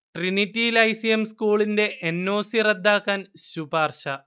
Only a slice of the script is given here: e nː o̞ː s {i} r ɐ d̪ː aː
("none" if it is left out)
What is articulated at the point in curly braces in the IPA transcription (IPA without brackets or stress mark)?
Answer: i